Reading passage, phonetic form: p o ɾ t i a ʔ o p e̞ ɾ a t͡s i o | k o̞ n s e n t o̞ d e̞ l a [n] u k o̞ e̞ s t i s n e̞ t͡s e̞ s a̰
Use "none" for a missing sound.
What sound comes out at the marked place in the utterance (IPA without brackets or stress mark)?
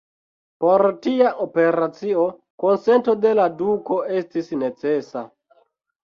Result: d